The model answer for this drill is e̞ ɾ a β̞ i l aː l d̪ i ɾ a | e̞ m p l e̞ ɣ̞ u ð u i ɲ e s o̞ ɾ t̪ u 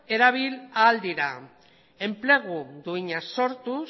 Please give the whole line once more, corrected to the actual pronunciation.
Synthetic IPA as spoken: e̞ ɾ a β̞ i l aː l d̪ i ɾ a | e̞ m p l e̞ ɣ̞ u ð u i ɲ a s o̞ ɾ t̪ u